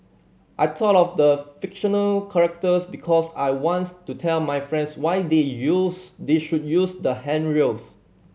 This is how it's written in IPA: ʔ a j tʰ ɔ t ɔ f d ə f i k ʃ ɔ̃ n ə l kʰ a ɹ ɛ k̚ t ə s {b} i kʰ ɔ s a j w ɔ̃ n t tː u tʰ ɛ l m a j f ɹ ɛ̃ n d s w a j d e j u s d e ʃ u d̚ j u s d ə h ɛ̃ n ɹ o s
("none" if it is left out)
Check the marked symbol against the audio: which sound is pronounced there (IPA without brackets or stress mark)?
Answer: b